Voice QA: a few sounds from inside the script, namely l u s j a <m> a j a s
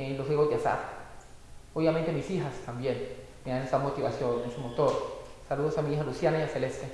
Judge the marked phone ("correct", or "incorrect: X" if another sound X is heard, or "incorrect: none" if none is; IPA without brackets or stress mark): incorrect: n